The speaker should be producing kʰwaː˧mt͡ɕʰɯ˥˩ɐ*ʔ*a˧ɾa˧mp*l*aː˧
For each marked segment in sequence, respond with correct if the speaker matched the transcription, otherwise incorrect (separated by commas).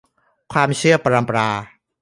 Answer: incorrect, incorrect